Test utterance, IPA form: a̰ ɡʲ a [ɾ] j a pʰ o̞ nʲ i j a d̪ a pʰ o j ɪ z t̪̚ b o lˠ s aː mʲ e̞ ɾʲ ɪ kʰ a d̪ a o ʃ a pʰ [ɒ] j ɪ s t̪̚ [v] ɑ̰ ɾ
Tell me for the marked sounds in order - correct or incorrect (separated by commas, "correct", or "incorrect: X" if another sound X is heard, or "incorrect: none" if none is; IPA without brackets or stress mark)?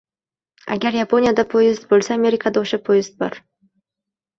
correct, incorrect: o, incorrect: b